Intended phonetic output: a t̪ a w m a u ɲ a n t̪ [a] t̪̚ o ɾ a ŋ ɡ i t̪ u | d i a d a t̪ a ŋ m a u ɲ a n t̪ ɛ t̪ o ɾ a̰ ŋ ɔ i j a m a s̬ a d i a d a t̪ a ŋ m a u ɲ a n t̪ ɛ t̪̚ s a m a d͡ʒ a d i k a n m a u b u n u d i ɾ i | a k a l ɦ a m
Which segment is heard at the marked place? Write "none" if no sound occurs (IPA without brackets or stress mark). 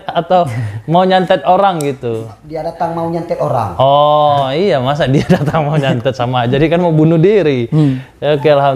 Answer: ɛ